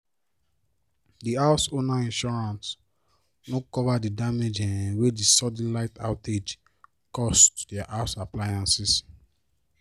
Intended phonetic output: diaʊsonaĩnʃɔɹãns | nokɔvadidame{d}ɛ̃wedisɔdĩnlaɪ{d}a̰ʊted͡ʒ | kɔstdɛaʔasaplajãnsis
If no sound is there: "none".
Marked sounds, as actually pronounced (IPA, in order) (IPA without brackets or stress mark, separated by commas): d͡ʒ, t